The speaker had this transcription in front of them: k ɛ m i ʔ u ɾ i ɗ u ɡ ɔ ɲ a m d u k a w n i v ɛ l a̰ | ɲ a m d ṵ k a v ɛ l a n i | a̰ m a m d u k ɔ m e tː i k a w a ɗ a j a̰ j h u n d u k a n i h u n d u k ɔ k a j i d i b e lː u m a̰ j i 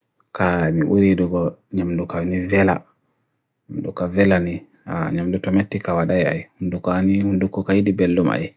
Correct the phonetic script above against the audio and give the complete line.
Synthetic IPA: k a m i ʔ u ɾ i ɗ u ɡ ɔ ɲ a m d u k a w n i v ɛ l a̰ | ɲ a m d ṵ k a v ɛ l a n i | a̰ ɲ a m d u t ɔ m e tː i k a w a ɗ a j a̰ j h u n d u k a n i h u n d u k ɔ k a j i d i b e lː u m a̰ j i

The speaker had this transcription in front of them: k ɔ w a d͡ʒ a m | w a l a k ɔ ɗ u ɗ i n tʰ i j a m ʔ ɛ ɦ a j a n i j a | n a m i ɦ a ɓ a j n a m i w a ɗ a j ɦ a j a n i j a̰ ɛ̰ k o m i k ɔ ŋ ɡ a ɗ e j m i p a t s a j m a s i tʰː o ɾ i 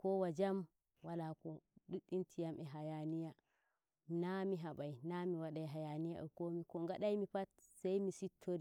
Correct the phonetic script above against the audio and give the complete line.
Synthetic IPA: k ɔ w a d͡ʒ a m | w a l a k ɔ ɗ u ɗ i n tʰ i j a m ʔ ɛ ɦ a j a n i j a | n a m i ɦ a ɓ a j n a m i w a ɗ a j ɦ a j a n i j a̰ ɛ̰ k o m i k ɔ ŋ ɡ a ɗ a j m i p a t s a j m i s i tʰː o ɾ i

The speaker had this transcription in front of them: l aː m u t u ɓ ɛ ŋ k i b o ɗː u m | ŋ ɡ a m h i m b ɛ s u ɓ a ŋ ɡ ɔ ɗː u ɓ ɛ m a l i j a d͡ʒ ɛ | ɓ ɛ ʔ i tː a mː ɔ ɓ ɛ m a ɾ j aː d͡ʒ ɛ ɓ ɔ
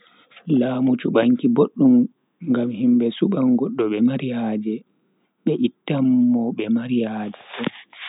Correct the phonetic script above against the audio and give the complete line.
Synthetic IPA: l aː m u t͡ʃ u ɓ a ŋ k i b o ɗː u m | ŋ ɡ a m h i m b ɛ s u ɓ a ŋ ɡ ɔ ɗː ɔ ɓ ɛ m a ɾ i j a d͡ʒ ɛ | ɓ ɛ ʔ i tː a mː ɔ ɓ ɛ m a ɾ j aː d͡ʒ ɛ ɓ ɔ

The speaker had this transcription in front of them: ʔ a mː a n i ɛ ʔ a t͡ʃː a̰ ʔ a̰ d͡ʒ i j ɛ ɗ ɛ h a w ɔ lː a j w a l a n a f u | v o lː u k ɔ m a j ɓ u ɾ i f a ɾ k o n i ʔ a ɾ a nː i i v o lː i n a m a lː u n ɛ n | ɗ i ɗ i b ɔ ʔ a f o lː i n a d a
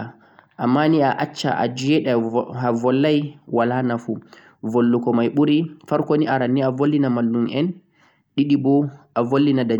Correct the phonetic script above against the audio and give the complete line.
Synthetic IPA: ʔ a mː a n i a ʔ a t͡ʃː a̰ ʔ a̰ d͡ʒ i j ɛ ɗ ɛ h a v ɔ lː a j w a l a n a f u | v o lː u k ɔ m a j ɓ u ɾ i f a ɾ k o n i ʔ a ɾ a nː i a v o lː i n a m a lː u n ɛ n | ɗ i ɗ i b ɔ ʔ a v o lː i n a d a

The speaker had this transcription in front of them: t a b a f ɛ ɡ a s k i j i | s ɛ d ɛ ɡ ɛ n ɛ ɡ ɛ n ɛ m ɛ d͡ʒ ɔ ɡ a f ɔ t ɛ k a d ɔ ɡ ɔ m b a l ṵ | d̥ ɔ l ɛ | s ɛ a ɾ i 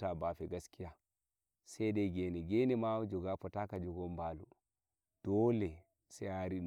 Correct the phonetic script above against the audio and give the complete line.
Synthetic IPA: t a b a f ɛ ɡ a s k i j a | s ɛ d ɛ ɡ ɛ n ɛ ɡ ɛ n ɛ m a d͡ʒ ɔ ɡ a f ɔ t a k a d͡ʒ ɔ ɡ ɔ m b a l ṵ | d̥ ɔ l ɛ | s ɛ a ɾ i

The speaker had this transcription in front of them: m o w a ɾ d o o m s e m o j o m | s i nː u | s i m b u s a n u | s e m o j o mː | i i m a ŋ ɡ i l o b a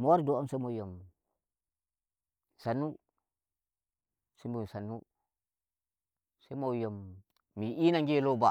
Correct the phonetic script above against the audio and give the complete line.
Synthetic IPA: m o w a ɾ d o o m s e m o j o m | s a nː u | s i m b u s a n u | s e m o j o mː | i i n a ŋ ɡ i l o b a

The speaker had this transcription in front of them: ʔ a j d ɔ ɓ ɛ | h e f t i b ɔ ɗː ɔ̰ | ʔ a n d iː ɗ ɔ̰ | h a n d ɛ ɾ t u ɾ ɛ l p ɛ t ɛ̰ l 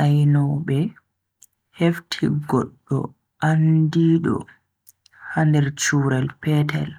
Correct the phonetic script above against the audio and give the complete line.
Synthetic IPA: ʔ a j n ɔ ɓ ɛ | h e f tʰ i ɡ ɔ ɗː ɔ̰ | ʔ a n d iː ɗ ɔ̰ | h a n d ɛ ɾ t͡ʃ u ɾ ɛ l p ɛ t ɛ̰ l

